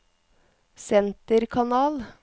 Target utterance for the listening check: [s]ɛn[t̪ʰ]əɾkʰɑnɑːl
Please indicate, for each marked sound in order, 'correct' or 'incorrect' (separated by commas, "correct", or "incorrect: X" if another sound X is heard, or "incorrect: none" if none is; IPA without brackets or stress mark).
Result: correct, incorrect: t̪